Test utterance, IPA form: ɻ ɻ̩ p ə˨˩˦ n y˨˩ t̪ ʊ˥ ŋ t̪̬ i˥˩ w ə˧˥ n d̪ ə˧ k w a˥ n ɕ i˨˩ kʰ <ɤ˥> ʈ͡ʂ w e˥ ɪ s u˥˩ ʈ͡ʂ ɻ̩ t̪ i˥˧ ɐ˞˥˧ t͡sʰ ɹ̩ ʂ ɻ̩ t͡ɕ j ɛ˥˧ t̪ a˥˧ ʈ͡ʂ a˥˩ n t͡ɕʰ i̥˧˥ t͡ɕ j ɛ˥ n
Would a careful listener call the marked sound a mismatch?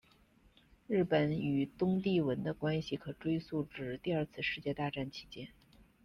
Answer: yes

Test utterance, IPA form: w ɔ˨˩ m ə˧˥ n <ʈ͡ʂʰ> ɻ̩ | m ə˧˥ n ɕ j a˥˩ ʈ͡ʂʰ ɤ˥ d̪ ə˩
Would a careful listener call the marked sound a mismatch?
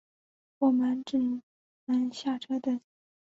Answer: yes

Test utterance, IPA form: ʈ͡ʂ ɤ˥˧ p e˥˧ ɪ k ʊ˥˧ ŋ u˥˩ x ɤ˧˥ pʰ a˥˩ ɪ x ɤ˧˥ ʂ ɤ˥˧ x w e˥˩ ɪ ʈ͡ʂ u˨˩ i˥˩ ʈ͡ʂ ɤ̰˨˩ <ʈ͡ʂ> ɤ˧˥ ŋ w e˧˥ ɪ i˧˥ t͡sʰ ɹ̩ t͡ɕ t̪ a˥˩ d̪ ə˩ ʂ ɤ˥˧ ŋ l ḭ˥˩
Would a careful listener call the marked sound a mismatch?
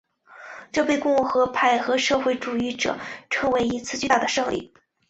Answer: yes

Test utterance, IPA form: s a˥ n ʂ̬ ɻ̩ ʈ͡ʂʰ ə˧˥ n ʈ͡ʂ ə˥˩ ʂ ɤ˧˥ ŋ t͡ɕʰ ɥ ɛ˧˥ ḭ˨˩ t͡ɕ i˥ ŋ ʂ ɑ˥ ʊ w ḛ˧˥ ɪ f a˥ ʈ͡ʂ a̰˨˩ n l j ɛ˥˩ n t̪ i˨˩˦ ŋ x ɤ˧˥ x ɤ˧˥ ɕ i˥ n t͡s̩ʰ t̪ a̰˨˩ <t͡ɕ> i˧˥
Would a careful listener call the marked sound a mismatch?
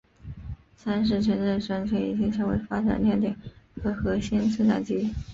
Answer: no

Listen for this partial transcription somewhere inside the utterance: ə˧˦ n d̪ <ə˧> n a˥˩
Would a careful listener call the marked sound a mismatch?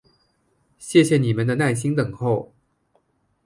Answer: no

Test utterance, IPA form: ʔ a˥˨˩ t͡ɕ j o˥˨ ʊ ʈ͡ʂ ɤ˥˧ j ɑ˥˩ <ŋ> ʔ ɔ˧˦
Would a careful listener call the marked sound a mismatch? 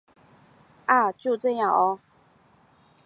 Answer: no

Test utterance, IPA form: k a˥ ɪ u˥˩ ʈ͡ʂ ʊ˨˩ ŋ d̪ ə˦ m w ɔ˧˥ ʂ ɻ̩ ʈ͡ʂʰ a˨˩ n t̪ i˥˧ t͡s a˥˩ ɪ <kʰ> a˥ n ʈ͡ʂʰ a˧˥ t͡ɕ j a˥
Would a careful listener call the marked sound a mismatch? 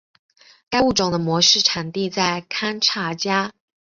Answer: no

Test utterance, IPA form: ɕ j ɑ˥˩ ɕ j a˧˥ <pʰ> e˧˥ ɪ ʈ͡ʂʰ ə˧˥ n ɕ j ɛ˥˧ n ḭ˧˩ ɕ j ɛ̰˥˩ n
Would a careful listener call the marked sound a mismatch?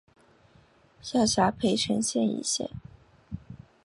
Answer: no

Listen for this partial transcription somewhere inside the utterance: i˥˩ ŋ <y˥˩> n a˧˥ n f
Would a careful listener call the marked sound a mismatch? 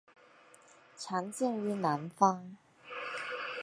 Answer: yes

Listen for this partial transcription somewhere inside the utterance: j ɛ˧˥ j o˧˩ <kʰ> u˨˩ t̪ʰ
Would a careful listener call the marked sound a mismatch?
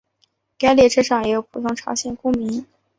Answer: yes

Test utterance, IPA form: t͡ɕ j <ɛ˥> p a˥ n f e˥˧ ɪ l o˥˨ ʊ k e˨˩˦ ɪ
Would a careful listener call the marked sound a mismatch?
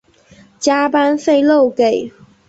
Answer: yes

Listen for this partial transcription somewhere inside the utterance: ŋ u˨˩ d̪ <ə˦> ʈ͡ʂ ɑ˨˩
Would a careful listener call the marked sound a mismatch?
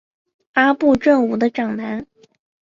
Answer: no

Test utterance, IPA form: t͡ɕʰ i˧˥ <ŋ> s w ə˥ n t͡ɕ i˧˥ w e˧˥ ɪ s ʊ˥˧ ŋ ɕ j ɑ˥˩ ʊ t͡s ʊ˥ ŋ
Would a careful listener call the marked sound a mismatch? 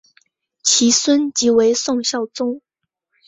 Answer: yes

